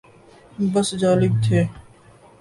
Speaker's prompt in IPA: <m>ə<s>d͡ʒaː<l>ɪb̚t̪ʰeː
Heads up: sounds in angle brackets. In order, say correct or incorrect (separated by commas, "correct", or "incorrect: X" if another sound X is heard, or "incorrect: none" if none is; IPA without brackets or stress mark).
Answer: incorrect: b, correct, correct